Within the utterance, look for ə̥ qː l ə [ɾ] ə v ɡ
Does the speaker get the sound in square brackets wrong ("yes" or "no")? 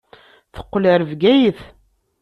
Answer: no